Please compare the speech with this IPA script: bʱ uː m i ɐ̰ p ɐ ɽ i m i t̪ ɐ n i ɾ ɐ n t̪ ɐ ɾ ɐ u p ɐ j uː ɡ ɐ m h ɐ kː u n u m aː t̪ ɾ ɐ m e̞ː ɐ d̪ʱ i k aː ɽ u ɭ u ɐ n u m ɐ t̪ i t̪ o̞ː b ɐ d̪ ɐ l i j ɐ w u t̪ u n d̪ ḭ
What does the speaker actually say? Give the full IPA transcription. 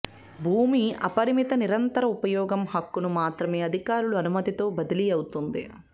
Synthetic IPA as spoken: bʱ uː m i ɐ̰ p ɐ ɾ i m i t̪ ɐ n i ɾ ɐ n t̪ ɐ ɾ ɐ u p ɐ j ɔː ɡ ɐ m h ɐ kː u n u m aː t̪ ɾ ɐ m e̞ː ɐ d̪ʱ i k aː ɾ u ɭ u ɐ n u m ɐ t̪ i t̪ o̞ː b ɐ d̪ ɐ l i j ɐ w u t̪ u n d̪ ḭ